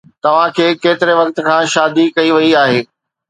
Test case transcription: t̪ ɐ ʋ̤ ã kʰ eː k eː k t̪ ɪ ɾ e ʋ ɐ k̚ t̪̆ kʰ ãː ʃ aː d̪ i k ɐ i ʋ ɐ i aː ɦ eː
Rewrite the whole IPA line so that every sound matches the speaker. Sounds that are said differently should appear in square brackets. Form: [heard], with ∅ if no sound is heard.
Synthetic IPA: t̪ ɐ ʋ̤ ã kʰ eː k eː [∅] t̪ ɪ ɾ e ʋ ɐ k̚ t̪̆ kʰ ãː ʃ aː d̪ i k ɐ i ʋ ɐ i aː ɦ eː